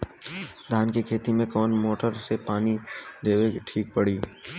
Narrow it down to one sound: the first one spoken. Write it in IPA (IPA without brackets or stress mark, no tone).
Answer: d̪ʱ